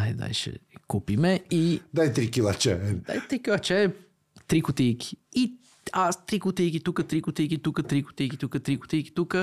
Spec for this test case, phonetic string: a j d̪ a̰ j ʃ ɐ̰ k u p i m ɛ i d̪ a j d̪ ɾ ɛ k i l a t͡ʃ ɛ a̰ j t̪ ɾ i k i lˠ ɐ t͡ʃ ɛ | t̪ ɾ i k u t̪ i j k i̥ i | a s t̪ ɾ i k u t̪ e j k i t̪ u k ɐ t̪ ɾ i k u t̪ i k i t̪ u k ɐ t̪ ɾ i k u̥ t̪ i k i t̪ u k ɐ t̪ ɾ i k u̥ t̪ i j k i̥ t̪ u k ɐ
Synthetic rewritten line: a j d̪ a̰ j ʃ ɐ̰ k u p i m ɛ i d̪ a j t̪ ɾ i k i l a t͡ʃ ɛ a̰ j t̪ ɾ i k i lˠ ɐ t͡ʃ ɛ | t̪ ɾ i k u t̪ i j k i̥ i | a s t̪ ɾ i k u t̪ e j k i t̪ u k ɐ t̪ ɾ i k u t̪ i k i t̪ u k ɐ t̪ ɾ i k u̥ t̪ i k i t̪ u k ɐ t̪ ɾ i k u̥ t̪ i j k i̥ t̪ u k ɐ